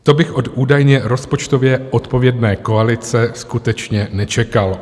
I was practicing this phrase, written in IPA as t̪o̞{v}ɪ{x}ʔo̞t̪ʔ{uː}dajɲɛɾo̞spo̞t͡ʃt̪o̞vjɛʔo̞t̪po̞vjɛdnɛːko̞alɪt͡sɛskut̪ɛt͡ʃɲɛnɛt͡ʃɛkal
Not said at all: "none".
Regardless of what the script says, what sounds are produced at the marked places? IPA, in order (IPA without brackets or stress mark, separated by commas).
b, x, uː